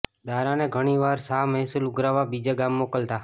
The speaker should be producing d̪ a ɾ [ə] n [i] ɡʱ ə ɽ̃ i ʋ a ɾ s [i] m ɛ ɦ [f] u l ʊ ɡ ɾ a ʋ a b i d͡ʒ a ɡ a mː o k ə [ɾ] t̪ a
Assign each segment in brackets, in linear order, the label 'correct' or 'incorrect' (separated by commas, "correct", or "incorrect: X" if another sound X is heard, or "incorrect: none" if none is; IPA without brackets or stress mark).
incorrect: a, incorrect: e, incorrect: a, incorrect: s, incorrect: l